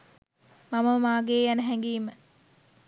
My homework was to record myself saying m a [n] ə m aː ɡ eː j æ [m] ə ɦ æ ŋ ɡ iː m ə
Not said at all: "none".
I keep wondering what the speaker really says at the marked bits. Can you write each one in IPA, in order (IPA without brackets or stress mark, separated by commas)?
m, n